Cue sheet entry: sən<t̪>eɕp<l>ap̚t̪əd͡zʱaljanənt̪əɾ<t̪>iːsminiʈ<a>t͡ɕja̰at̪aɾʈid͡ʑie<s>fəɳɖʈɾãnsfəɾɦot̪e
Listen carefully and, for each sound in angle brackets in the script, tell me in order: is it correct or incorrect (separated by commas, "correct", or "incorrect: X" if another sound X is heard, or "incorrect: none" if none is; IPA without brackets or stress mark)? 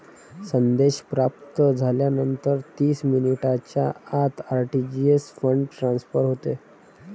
incorrect: d̪, incorrect: ɾ, correct, correct, correct